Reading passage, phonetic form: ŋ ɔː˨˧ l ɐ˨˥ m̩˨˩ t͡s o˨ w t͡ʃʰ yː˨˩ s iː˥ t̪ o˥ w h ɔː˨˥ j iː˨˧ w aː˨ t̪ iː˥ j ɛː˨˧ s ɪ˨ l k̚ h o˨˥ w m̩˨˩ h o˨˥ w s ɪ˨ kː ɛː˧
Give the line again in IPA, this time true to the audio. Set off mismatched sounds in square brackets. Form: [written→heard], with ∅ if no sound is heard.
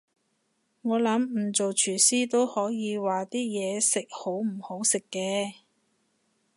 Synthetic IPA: ŋ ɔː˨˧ l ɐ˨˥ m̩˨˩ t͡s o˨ w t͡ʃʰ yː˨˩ s iː˥ t̪ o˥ w h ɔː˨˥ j iː˨˧ w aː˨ t̪ iː˥ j ɛː˨˧ s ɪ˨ [l→∅] k̚ h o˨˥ w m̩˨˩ h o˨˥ w s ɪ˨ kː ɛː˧